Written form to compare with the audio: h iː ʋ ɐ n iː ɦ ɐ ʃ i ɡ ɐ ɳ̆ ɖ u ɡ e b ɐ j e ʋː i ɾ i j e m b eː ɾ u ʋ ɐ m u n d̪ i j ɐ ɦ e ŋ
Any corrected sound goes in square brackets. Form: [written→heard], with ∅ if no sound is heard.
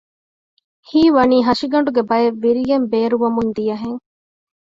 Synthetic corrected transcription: h iː ʋ ɐ n iː ɦ ɐ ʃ i ɡ ɐ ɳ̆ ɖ u ɡ e b ɐ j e ʋː i ɾ i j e m b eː ɾ u ʋ ɐ m u n d̪ i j ɐ ɦ e ŋ

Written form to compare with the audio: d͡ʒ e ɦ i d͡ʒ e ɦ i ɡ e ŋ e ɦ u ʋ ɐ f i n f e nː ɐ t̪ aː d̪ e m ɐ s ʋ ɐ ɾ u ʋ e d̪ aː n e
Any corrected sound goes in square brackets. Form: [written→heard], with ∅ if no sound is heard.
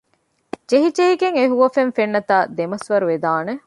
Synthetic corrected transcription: d͡ʒ e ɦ i d͡ʒ e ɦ i ɡ e ŋ e ɦ u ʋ ɐ f [i→e] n f e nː ɐ t̪ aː d̪ e m ɐ s ʋ ɐ ɾ u ʋ e d̪ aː n e

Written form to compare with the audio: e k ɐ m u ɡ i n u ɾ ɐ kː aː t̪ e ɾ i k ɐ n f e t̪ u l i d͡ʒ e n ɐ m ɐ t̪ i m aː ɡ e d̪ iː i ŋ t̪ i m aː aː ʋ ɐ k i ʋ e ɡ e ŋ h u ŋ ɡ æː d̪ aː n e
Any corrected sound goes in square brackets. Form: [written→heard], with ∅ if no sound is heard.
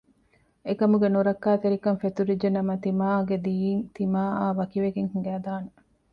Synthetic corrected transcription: e k ɐ m u ɡ [i→e] n u ɾ ɐ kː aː t̪ e ɾ i k ɐ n f e t̪ u [l→ɾ] i d͡ʒ e n ɐ m ɐ t̪ i m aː ɡ e d̪ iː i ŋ t̪ i m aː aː ʋ ɐ k i ʋ e ɡ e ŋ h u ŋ ɡ æː d̪ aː n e

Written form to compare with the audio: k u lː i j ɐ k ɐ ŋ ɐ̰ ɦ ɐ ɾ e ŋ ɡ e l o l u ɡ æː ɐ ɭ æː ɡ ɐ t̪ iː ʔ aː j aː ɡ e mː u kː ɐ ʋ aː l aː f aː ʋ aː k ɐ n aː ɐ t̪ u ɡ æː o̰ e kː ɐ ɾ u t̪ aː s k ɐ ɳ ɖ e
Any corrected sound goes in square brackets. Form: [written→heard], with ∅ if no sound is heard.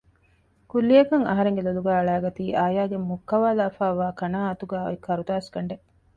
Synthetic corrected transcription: k u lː i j ɐ k ɐ ŋ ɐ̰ ɦ ɐ ɾ e ŋ ɡ e l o l u ɡ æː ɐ ɭ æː ɡ ɐ t̪ iː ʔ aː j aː ɡ e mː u kː ɐ ʋ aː l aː f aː ʋ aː k ɐ n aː ɐ t̪ u ɡ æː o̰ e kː ɐ ɾ u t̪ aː s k ɐ ɳ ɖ e

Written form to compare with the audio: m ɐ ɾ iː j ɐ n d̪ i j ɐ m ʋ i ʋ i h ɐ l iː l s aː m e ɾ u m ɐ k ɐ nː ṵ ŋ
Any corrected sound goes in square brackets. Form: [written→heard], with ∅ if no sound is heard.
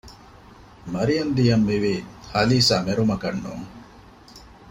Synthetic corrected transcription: m ɐ ɾ [iː→i] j ɐ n d̪ i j ɐ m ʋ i ʋ i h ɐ l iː [l→∅] s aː m e ɾ u m ɐ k ɐ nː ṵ ŋ

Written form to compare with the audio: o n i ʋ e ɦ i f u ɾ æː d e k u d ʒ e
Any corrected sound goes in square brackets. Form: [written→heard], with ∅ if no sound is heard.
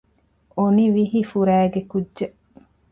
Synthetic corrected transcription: o n i ʋ [e→i] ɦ i f u ɾ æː [d→ɡ] e k u d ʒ e

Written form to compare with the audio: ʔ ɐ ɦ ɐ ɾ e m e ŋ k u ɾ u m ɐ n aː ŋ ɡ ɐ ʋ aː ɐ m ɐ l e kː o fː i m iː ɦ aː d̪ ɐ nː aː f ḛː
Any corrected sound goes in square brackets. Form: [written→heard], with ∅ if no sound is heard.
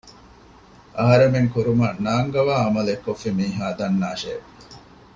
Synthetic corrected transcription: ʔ ɐ ɦ ɐ ɾ e m e ŋ k u ɾ u m ɐ n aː ŋ ɡ ɐ ʋ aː ɐ m ɐ l e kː o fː i m iː ɦ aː d̪ ɐ nː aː [f→ʃ] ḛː

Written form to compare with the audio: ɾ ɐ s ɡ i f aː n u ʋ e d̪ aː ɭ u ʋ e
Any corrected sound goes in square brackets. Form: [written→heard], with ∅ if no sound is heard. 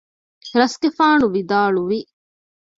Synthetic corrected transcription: ɾ ɐ s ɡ [i→e] f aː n u ʋ [e→i] d̪ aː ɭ u ʋ [e→i]

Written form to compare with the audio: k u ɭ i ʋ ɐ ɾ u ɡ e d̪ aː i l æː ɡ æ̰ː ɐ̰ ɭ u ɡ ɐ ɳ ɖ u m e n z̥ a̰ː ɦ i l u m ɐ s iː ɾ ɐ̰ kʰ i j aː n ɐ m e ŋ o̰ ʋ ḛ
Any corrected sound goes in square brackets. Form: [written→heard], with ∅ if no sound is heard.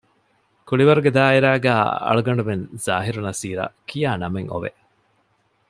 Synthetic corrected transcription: k u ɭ i ʋ ɐ ɾ u ɡ e d̪ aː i [l→ɾ] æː ɡ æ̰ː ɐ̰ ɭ u ɡ ɐ ɳ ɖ u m e n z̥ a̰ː ɦ i [l→ɾ] u [m→n] ɐ s iː ɾ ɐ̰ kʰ i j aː n ɐ m e ŋ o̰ ʋ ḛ

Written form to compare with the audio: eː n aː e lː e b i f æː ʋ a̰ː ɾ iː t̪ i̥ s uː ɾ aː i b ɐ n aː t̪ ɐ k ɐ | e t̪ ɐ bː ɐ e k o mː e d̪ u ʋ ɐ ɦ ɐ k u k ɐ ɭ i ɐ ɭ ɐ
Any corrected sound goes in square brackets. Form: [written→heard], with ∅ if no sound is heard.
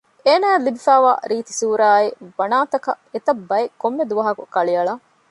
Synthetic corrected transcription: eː n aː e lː [e→i] b i f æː ʋ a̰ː ɾ iː t̪ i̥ s uː ɾ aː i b ɐ n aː t̪ ɐ k ɐ | e t̪ ɐ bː ɐ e k o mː e d̪ u ʋ ɐ ɦ ɐ k u k ɐ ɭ i ɐ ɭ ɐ

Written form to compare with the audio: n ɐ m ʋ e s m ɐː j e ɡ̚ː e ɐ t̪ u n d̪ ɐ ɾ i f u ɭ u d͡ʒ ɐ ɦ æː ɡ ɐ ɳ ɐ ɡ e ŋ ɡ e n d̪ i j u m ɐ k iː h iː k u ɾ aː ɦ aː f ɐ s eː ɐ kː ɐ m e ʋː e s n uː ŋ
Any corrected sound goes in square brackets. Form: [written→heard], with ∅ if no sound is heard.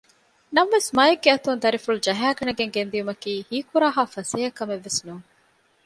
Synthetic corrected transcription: n ɐ m ʋ e s m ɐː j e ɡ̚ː e ɐ t̪ u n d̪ ɐ ɾ i f u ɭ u d͡ʒ ɐ ɦ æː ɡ ɐ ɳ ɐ ɡ e ŋ ɡ e n d̪ i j u m ɐ k iː h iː k u ɾ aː ɦ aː f ɐ s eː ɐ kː ɐ m e ʋː e s n uː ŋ

